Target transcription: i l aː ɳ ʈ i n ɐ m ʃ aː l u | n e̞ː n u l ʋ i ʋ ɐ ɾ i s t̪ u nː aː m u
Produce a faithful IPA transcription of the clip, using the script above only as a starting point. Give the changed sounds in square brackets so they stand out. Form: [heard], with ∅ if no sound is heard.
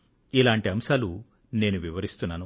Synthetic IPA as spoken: i l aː ɳ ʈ i [∅] ɐ m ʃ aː l u | n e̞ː n u [∅] ʋ i ʋ ɐ ɾ i s t̪ u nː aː [n] u